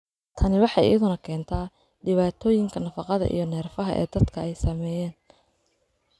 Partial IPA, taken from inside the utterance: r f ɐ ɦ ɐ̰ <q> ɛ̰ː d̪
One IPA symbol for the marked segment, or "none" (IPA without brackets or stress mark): ʔ